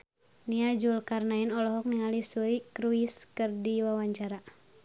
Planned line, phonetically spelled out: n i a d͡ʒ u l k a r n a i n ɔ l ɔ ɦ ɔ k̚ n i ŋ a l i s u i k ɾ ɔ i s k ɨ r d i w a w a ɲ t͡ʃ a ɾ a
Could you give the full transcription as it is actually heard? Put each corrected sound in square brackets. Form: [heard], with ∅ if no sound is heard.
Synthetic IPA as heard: n i a d͡ʒ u l k a r n a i n ɔ l ɔ ɦ ɔ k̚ n i ŋ a l i s u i k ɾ [u] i s k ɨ r d i w a w a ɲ t͡ʃ a ɾ a